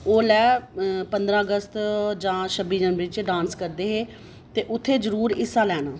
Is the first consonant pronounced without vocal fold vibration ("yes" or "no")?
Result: no